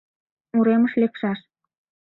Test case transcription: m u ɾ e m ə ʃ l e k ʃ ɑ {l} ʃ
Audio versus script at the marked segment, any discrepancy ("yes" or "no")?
yes